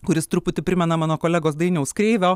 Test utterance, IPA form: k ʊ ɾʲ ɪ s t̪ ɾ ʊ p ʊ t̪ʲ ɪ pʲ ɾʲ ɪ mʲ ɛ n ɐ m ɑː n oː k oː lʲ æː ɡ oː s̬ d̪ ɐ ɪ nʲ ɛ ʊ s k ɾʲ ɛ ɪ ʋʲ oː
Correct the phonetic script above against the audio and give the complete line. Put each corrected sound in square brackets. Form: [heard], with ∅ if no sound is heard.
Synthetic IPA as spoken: k ʊ ɾʲ ɪ s t̪ ɾ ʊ p ʊ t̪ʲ ɪ pʲ ɾʲ ɪ mʲ ɛ n ɐ m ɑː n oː k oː lʲ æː ɡ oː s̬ d̪ ɐ ɪ nʲ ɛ ʊ s k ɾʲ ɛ ɪ ʋʲ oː

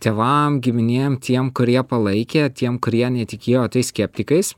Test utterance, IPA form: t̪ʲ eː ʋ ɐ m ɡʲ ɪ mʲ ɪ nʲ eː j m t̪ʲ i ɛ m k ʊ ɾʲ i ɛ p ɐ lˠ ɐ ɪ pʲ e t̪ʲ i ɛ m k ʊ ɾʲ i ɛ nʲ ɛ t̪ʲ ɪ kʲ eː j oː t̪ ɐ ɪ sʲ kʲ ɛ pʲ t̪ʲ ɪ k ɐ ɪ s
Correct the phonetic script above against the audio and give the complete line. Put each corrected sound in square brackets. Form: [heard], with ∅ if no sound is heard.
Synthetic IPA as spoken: t̪ʲ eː ʋ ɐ m ɡʲ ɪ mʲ ɪ nʲ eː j m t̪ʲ i ɛ m k ʊ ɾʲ i ɛ p ɐ lˠ ɐ ɪ [kʲ] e t̪ʲ i ɛ m k ʊ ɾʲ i ɛ nʲ ɛ t̪ʲ ɪ kʲ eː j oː t̪ ɐ ɪ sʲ kʲ ɛ pʲ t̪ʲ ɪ k ɐ ɪ s

